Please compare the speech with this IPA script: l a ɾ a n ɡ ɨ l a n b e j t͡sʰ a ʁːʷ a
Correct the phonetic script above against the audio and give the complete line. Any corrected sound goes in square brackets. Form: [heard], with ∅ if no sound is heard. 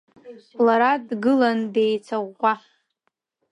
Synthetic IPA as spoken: l a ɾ a [d] ɡ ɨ l a n [d] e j t͡sʰ a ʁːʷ a